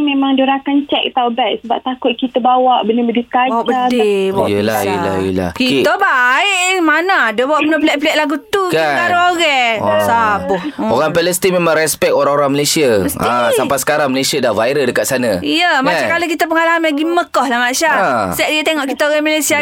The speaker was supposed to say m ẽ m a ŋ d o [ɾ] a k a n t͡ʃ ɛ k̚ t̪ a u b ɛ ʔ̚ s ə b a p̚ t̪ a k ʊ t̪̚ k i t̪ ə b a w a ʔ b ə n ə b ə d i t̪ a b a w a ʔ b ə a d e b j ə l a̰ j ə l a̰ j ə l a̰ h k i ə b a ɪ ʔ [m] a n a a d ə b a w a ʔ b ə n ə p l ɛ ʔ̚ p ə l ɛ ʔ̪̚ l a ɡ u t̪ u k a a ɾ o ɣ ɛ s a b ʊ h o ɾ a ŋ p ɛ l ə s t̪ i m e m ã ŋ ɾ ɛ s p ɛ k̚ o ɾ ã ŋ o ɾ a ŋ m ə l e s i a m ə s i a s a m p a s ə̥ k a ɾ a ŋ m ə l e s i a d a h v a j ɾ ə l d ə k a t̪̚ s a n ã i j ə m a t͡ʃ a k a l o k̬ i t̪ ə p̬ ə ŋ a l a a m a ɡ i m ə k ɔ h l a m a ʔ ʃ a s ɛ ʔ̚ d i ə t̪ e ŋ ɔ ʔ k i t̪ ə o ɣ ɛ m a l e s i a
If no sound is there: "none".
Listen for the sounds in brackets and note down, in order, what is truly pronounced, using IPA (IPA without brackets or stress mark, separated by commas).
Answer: ɾ, m